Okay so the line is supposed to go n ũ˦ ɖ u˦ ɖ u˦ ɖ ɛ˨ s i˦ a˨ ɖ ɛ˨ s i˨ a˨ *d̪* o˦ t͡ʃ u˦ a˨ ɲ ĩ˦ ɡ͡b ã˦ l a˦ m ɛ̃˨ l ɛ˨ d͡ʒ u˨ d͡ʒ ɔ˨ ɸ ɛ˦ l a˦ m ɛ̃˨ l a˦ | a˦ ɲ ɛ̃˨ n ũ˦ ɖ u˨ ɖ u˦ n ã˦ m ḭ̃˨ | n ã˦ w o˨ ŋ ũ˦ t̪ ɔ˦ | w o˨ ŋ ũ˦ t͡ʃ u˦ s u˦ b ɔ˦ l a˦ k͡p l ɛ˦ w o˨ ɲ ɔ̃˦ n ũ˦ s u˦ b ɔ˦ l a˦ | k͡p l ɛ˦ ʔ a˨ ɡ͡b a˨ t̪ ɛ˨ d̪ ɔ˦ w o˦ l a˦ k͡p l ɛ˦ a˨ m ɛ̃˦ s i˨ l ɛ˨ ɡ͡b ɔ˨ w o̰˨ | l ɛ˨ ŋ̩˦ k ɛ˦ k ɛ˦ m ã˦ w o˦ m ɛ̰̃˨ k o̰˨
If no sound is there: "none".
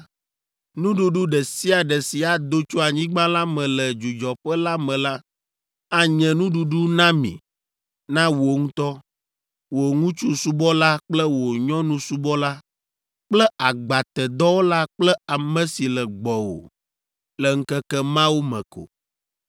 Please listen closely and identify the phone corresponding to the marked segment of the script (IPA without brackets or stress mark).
d̪